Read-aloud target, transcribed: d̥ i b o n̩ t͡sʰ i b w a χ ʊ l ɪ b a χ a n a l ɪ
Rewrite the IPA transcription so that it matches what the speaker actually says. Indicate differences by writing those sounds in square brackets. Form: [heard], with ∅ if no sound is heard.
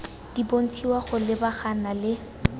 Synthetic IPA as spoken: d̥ i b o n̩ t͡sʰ i [∅] w a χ ʊ l ɪ b a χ a n a l ɪ